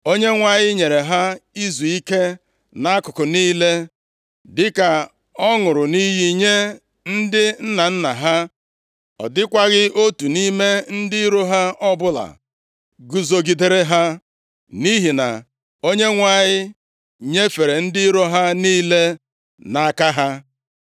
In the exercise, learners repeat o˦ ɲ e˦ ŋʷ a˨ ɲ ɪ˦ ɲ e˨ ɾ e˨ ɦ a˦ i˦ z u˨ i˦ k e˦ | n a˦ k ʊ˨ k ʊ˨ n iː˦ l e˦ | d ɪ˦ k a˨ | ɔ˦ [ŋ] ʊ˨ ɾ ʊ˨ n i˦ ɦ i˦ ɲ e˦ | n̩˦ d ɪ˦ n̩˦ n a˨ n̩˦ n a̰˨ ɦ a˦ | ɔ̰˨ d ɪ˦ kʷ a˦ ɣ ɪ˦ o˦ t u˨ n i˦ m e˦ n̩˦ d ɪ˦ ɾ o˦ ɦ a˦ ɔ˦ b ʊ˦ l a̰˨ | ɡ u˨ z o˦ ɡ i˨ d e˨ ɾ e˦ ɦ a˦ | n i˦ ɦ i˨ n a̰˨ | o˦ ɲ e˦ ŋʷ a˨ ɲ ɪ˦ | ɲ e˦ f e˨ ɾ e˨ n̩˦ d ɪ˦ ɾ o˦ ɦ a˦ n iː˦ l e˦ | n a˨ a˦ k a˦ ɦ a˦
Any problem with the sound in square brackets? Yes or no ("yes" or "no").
no